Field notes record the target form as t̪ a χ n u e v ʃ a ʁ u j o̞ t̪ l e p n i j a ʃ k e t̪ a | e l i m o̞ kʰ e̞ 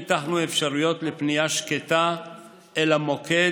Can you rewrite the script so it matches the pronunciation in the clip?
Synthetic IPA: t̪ a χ n u e f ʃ a ʁ u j o̞ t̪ l e p n i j a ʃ k e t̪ a | e l a m o̞ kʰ e̞